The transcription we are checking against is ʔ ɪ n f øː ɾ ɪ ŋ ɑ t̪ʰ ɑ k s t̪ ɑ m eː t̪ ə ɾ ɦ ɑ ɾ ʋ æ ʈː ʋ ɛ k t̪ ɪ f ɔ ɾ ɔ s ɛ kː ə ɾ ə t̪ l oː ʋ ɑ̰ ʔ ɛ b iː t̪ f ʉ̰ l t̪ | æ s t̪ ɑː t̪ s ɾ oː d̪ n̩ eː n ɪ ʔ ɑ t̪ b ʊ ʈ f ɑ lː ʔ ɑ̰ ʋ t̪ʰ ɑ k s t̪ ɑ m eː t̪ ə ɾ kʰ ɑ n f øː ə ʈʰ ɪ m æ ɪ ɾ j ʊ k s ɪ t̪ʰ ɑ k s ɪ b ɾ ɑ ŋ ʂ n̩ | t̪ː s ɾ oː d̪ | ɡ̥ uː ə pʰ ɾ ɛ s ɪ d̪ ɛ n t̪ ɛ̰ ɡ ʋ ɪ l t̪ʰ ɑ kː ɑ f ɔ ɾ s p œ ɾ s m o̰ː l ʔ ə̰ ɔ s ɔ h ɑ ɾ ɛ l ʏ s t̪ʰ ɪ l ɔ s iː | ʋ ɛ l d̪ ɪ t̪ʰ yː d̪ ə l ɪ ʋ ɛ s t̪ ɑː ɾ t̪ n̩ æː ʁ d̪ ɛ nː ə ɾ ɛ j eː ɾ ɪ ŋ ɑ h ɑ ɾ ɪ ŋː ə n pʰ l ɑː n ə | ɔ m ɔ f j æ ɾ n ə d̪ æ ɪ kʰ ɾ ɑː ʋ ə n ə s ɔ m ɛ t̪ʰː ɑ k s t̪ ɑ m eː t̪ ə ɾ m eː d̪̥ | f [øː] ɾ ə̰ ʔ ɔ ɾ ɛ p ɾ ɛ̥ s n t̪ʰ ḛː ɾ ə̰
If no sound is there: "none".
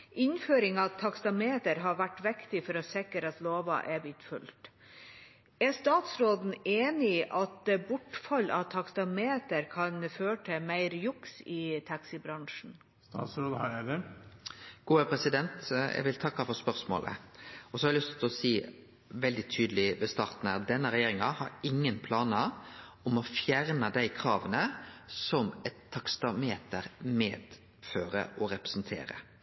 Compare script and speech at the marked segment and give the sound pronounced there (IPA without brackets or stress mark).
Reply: øː